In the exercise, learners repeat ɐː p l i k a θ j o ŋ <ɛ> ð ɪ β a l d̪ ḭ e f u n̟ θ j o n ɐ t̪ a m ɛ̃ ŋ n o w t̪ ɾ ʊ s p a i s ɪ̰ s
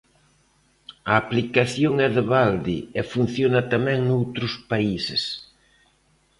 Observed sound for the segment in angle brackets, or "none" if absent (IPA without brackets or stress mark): ɛ